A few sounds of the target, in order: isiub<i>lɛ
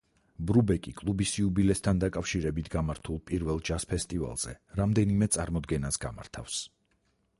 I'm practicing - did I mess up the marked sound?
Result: no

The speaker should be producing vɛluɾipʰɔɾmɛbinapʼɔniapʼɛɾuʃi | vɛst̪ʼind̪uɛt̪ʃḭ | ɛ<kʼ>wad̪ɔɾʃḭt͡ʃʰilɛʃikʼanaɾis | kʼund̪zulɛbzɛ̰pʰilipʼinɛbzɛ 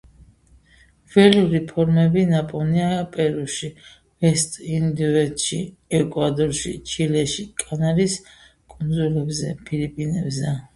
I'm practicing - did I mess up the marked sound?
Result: no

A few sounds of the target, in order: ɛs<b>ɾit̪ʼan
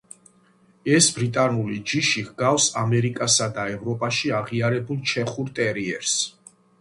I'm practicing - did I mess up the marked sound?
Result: no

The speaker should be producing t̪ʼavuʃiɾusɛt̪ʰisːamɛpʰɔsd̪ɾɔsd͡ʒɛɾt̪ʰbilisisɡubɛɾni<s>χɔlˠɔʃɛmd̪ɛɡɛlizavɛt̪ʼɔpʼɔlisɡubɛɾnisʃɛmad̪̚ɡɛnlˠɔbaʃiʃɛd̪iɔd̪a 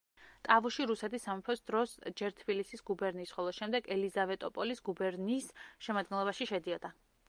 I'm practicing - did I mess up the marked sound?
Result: no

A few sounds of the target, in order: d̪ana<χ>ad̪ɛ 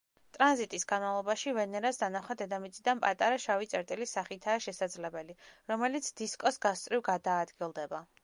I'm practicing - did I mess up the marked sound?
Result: no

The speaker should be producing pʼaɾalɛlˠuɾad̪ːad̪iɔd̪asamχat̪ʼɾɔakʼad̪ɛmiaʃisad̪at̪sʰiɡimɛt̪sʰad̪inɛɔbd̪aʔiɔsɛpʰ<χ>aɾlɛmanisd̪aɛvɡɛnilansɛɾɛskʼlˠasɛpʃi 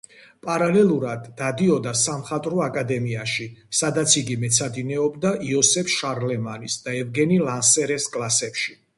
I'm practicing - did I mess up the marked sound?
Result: yes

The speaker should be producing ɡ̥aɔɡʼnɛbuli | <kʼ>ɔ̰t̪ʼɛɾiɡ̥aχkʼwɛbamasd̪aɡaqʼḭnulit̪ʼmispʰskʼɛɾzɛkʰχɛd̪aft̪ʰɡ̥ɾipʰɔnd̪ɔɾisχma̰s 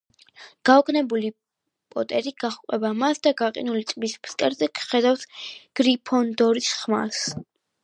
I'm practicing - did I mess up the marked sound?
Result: yes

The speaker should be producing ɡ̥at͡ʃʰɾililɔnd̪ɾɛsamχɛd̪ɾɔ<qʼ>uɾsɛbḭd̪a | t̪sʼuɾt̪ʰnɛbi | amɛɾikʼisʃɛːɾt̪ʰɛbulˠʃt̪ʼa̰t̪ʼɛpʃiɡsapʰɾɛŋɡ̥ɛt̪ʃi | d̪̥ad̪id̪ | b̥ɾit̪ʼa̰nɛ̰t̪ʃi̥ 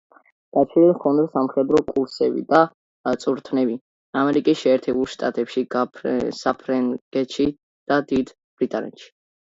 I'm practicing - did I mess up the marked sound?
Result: yes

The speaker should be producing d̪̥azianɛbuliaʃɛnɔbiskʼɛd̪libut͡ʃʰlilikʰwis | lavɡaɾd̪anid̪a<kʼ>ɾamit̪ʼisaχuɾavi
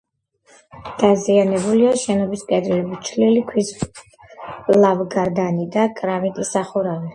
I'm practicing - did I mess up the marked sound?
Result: no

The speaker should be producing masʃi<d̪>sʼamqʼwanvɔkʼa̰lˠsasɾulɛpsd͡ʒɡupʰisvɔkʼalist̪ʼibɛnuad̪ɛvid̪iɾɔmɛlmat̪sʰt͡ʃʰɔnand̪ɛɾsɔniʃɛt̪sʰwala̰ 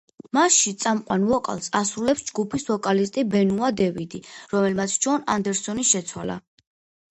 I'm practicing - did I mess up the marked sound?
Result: yes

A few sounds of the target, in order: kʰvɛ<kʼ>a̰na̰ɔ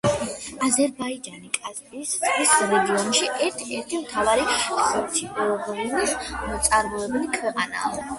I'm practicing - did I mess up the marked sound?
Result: yes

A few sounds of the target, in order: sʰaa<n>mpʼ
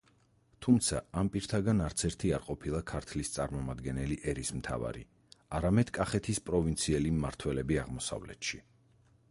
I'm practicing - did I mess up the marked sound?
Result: yes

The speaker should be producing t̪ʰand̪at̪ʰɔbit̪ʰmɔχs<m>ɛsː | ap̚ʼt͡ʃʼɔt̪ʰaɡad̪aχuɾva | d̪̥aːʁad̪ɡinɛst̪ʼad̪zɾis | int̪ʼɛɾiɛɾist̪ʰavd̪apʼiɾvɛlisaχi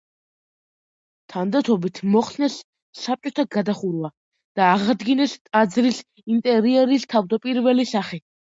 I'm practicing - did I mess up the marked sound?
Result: yes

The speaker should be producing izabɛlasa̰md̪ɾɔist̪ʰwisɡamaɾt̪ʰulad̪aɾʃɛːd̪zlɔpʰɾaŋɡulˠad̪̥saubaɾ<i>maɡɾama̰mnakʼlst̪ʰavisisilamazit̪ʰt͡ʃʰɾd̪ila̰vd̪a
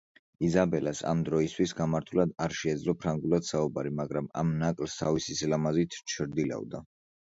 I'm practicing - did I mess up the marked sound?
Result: no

